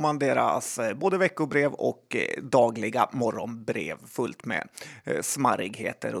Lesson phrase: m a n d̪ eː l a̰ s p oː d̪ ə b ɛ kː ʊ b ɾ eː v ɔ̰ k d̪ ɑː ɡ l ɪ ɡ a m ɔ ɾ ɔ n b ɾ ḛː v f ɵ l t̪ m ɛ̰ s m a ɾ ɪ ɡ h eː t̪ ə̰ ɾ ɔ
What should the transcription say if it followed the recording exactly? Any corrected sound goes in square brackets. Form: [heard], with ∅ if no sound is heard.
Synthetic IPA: m a n d̪ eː [ɾ] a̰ s [b] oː d̪ ə [v] ɛ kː ʊ b ɾ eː v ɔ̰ k d̪ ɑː ɡ l ɪ ɡ a m ɔ ɾ ɔ n b ɾ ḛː v f ɵ l t̪ m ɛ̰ s m a ɾ ɪ ɡ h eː t̪ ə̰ ɾ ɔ